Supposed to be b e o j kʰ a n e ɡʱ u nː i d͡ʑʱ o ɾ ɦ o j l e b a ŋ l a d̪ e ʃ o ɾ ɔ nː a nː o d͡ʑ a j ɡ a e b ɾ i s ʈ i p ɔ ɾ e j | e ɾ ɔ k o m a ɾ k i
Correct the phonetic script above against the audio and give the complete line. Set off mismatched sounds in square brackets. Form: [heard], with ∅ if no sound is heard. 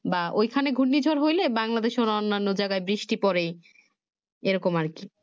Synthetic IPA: b [a] o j kʰ a n e ɡʱ u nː i d͡ʑʱ o ɾ ɦ o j l e b a ŋ l a d̪ e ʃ o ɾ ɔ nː a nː o d͡ʑ a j ɡ a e b ɾ i [ʃ] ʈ i p ɔ ɾ e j | e ɾ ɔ k o m a ɾ k i